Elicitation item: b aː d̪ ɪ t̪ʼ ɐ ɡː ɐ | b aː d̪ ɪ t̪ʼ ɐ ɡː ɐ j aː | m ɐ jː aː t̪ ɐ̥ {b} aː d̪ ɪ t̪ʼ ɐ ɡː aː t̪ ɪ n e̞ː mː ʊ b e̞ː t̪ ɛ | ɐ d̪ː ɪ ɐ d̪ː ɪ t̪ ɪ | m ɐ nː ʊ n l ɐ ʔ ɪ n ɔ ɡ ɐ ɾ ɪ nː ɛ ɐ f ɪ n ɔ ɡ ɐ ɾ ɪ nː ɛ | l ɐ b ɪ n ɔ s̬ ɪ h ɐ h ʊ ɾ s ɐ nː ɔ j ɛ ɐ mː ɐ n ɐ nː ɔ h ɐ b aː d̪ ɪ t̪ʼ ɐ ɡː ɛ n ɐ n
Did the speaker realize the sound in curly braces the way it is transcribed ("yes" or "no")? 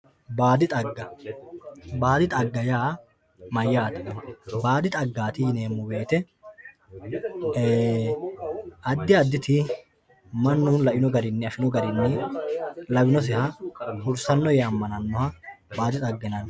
yes